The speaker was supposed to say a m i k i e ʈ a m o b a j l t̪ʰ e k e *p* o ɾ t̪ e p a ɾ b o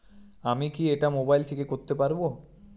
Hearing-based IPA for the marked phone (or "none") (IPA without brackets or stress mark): k